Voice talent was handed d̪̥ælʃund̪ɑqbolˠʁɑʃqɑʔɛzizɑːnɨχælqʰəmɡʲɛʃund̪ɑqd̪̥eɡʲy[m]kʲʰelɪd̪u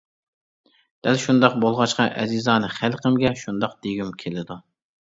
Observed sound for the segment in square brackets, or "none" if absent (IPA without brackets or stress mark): m